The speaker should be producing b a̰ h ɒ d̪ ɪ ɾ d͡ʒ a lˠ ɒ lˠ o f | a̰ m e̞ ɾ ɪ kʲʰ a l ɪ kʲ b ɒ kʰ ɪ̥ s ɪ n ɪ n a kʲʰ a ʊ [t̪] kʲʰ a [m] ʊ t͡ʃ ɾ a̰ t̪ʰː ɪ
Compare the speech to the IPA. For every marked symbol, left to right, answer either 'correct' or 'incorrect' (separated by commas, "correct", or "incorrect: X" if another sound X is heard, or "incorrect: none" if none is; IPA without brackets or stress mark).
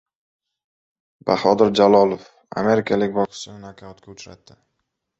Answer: correct, incorrect: none